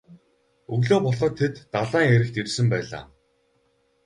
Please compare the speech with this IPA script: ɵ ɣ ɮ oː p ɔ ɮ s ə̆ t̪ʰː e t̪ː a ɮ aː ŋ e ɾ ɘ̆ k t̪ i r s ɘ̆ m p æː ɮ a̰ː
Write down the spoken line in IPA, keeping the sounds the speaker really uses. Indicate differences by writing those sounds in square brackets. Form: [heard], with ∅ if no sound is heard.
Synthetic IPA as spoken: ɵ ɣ ɮ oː p ɔ ɮ [χ] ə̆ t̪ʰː e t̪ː a ɮ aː ŋ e ɾ ɘ̆ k t̪ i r s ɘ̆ m p æː ɮ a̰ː